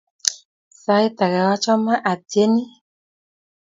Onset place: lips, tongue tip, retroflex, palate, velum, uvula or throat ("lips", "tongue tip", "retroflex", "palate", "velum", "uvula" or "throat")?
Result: tongue tip